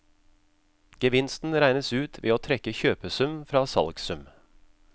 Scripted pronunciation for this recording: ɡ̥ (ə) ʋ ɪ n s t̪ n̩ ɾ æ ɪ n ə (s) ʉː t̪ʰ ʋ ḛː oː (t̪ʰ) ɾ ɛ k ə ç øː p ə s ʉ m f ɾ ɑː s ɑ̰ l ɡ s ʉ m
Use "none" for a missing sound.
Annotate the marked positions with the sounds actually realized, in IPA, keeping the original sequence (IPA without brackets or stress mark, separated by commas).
ə, s, t̪ʰ